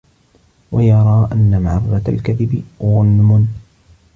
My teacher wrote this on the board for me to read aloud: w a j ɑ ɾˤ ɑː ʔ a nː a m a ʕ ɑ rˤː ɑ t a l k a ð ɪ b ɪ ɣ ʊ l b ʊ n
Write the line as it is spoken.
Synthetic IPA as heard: w a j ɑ ɾˤ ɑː ʔ a nː a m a ʕ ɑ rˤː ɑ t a l k a ð ɪ b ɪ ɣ ʊ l m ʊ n

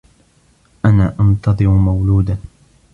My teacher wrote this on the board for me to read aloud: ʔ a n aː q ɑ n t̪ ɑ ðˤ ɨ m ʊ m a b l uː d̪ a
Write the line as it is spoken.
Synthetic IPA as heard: ʔ a n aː ʔ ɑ n t̪ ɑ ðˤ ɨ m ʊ m a w l uː d̪ a

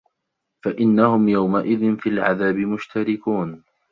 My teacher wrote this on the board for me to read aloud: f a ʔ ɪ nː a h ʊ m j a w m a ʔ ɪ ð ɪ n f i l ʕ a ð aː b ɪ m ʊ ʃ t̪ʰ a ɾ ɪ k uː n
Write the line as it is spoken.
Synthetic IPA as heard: f a ʔ ɪ nː a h ʊ m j a w m a ʔ ɪ ð ɪ n f i l ʕ a ð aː b ɪ m ʊ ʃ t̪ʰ a ɾ ɪ k uː n

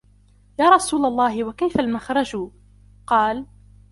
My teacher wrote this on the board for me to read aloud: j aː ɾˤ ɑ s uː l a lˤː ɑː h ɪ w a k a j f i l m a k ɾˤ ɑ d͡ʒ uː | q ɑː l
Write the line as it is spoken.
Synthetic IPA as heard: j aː ɾˤ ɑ s uː l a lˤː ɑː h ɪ w a k a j f a l m a x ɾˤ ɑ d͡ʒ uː | q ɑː l

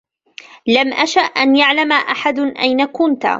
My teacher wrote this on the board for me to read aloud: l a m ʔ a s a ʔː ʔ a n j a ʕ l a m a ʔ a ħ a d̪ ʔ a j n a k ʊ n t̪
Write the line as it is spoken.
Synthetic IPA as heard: l a m ʔ a ʃ a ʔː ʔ a n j a ʕ l a m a ʔ a ħ a d̪ ʔ a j n a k ʊ n t̪

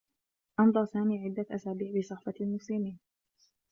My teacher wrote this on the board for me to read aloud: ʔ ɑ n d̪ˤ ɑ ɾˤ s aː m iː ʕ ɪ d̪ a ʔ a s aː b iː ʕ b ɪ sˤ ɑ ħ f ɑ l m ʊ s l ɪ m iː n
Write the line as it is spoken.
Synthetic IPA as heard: ʔ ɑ n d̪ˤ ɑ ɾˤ s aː m iː ʕ ɪ d̪ː a ʔ a s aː b iː ʕ b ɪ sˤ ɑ ħ f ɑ l m ʊ s l ɪ m iː n

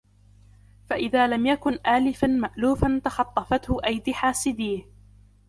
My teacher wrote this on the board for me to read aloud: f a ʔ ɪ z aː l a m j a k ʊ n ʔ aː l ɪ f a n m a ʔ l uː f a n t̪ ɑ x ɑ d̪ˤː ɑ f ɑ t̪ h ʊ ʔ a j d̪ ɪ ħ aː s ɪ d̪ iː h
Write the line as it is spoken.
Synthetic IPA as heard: f a ʔ ɪ ð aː l a m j a k ʊ n ʔ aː l ɪ f a n m a ʔ l uː f a n t̪ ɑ x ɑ t̪ˤː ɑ f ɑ t̪ h ʊ ʔ a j d̪ ɪ ħ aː s ɪ d̪ iː h

